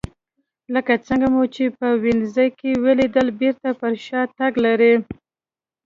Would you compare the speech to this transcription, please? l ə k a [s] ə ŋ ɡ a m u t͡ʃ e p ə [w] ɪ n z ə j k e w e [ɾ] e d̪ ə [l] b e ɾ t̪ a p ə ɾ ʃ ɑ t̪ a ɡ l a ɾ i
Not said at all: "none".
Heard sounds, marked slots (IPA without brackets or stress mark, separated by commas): t͡s, w, l, l